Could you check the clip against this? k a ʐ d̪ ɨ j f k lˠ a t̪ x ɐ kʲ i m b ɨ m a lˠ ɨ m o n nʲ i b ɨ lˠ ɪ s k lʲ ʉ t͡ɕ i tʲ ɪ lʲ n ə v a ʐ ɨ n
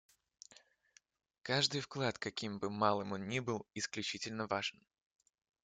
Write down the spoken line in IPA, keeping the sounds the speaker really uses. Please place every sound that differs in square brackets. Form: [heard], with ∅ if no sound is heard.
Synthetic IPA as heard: k a ʐ d̪ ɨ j f k lˠ a t̪ [k] ɐ kʲ i m b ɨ m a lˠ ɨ m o n nʲ i b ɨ lˠ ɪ s k lʲ ʉ t͡ɕ i tʲ ɪ lʲ n ə v a ʐ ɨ n